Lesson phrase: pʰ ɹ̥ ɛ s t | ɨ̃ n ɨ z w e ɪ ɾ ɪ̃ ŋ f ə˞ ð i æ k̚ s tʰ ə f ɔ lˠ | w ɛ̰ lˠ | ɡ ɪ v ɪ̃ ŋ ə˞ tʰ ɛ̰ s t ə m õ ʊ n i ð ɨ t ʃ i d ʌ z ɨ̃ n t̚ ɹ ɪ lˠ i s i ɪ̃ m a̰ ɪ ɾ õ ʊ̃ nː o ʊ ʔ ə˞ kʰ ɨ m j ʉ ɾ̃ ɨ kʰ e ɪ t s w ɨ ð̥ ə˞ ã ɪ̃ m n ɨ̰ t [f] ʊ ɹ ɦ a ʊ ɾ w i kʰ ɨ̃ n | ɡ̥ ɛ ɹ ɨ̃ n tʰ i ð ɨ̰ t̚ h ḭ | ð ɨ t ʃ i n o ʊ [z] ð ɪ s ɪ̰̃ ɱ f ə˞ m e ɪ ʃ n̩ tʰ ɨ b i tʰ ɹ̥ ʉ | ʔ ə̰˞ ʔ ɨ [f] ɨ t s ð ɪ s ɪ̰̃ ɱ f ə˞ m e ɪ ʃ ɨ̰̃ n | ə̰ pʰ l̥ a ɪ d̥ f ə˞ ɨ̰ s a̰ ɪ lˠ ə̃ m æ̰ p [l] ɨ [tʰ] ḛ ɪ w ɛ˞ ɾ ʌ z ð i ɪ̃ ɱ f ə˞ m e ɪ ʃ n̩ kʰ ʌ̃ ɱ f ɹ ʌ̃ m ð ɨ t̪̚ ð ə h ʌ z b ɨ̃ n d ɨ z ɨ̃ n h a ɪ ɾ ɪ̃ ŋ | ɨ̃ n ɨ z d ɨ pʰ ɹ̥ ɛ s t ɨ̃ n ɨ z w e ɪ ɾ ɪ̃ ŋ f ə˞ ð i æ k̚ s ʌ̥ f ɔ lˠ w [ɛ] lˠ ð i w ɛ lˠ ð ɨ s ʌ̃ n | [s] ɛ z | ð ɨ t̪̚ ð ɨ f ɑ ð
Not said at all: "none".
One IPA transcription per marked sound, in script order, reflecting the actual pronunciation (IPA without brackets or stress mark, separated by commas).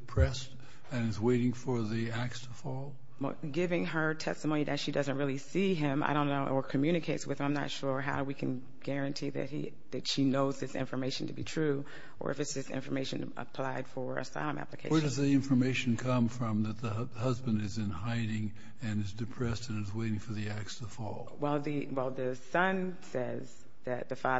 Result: ʃ, z, f, l, kʰ, ɛ, s